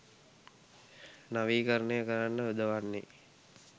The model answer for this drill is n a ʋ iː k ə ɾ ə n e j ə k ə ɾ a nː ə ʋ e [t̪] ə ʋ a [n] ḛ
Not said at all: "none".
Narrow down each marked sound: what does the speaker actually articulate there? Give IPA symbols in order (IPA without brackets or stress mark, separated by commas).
d̪, nː